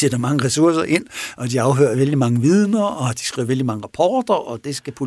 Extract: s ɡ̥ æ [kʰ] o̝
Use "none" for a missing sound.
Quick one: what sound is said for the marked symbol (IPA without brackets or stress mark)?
pʰ